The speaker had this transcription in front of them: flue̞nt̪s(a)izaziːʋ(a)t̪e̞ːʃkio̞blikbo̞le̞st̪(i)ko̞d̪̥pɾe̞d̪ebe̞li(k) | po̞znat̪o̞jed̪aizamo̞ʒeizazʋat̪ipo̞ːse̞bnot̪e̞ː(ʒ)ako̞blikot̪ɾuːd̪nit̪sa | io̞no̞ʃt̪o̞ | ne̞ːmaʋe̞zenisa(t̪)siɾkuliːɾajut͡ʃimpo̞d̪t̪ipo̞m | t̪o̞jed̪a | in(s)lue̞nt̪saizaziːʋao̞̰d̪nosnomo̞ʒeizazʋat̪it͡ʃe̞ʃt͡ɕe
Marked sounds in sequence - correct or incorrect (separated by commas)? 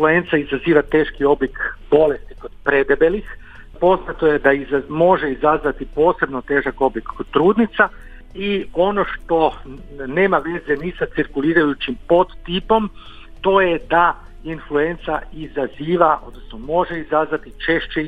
correct, correct, correct, incorrect, correct, correct, incorrect